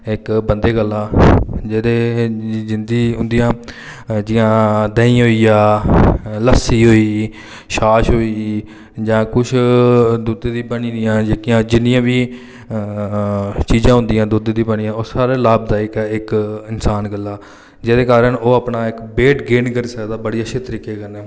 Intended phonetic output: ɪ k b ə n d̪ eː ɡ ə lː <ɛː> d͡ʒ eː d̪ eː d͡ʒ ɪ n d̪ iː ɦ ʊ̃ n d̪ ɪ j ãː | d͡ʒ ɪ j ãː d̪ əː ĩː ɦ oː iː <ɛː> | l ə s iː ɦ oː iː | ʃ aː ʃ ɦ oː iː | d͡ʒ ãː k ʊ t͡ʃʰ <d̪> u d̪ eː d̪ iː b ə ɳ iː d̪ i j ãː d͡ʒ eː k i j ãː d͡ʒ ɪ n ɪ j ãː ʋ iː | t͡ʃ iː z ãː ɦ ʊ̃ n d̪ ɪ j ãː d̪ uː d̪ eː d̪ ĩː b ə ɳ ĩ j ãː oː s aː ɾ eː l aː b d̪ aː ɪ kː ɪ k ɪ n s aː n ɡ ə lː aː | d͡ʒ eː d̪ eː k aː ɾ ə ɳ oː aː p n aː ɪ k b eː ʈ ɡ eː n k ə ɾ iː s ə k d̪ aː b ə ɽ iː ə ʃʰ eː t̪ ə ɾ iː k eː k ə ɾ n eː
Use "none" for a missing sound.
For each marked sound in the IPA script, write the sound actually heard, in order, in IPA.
aː, aː, d̪

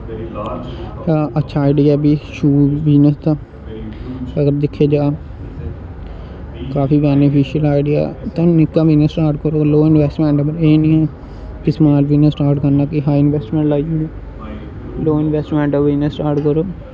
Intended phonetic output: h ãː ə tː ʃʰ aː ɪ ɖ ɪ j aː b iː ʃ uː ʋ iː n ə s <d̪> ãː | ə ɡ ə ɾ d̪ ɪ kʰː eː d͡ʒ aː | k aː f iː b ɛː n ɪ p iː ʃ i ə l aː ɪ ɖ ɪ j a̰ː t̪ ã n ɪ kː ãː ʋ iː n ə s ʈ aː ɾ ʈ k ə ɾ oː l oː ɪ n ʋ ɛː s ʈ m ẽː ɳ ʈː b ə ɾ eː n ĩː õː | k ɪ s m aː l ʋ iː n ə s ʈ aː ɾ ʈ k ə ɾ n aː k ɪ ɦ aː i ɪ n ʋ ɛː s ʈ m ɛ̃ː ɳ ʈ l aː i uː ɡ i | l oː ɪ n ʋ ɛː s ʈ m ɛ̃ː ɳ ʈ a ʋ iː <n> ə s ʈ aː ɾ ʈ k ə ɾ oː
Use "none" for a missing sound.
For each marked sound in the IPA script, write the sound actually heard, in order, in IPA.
t̪, n

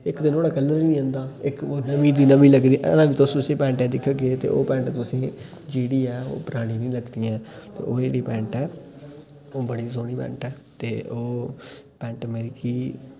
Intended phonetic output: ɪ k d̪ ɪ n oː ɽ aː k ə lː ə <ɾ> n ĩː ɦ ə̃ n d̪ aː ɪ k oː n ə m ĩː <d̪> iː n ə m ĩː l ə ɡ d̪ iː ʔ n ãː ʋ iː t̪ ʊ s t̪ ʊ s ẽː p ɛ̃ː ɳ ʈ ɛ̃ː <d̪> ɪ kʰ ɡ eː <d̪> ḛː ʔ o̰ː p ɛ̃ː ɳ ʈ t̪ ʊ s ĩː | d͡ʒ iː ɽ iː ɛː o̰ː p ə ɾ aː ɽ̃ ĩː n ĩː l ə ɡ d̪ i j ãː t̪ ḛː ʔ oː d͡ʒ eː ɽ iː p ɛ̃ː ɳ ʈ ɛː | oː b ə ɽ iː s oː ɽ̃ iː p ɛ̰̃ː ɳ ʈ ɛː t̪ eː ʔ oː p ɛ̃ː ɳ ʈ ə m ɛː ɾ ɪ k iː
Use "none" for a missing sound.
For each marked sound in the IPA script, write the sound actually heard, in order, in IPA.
ɾ, d̪, d̪, t̪

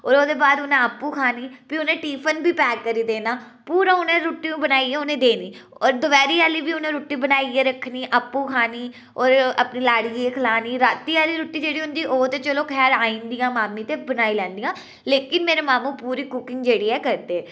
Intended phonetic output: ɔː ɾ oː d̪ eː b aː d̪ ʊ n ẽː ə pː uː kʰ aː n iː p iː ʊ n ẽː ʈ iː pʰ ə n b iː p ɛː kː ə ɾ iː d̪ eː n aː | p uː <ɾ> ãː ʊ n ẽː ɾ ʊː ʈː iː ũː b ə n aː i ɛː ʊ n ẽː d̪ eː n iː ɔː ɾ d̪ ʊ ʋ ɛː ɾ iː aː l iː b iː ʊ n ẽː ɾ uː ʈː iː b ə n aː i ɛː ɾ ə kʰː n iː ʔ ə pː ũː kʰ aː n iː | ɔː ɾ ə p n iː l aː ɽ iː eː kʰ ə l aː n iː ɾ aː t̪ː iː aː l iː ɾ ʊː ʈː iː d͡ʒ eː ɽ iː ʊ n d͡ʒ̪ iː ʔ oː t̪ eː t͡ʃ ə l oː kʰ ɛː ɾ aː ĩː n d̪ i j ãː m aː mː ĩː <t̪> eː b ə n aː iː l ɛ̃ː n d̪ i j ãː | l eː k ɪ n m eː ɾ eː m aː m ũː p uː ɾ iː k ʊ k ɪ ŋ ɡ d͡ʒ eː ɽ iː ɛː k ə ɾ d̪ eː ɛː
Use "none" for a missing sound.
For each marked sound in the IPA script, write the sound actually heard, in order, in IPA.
ɾ, t̪

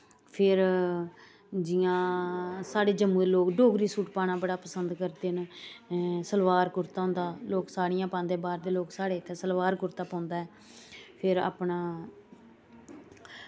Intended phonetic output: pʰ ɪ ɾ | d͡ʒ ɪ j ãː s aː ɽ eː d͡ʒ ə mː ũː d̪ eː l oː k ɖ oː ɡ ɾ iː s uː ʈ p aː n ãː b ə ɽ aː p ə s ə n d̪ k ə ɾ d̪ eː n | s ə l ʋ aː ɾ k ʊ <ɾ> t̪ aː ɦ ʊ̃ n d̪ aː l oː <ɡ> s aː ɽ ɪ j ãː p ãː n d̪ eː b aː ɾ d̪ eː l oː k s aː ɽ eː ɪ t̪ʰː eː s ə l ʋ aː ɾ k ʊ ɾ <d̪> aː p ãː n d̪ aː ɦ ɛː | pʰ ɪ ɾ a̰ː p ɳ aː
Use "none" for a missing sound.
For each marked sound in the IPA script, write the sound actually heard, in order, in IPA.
ɾ, k, t̪

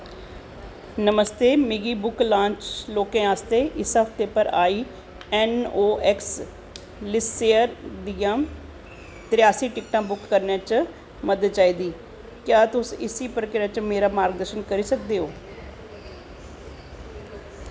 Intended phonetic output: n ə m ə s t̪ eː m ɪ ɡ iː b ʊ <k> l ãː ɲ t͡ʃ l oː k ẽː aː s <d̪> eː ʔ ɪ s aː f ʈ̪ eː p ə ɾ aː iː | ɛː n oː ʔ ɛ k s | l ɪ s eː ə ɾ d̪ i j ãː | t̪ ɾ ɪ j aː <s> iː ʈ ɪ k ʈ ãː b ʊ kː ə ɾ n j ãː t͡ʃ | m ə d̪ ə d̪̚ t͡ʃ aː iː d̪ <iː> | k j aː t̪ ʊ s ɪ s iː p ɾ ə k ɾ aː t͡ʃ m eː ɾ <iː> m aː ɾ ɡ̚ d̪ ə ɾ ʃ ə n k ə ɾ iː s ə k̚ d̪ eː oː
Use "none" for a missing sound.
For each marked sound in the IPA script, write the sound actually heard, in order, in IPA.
k, t̪, s, iː, aː

